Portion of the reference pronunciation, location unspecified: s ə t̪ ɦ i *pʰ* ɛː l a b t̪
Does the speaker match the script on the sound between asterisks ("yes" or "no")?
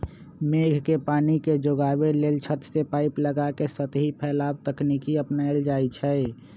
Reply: yes